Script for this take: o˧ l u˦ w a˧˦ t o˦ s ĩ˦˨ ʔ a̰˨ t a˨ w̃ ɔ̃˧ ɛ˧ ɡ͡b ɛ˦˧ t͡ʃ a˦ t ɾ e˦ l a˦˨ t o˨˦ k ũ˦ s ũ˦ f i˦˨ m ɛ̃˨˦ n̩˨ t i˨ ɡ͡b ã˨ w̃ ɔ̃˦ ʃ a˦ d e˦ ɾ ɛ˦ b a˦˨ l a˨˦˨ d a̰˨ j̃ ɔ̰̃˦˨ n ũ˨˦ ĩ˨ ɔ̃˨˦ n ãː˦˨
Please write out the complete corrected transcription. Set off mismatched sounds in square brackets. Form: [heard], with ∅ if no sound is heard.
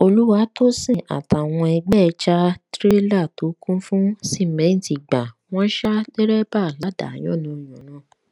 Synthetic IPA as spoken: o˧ l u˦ w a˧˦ t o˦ s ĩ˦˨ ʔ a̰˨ t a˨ w̃ ɔ̃˧ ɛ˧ ɡ͡b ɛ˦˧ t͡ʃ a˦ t ɾ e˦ l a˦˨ t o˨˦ k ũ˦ [f] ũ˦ [s] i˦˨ m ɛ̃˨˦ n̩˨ t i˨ ɡ͡b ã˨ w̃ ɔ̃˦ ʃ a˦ d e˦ ɾ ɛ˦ b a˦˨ l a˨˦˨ d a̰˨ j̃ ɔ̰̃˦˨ n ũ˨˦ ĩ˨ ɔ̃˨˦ n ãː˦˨